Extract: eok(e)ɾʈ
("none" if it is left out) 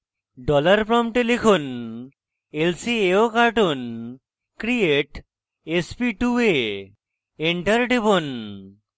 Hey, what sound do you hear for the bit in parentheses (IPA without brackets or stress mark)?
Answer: a